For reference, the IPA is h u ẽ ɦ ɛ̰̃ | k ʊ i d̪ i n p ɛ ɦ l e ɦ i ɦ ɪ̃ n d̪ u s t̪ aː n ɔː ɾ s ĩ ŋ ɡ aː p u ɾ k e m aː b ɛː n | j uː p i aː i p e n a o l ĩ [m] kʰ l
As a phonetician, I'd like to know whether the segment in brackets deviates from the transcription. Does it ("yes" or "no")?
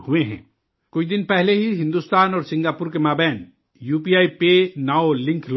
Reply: yes